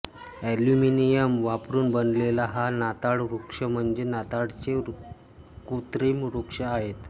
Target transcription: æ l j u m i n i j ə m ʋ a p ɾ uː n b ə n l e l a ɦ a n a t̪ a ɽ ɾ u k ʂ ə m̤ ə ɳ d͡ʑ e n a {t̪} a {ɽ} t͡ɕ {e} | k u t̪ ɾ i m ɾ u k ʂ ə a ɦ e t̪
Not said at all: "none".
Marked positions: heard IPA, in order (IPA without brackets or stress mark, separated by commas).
t̪, ɽ, e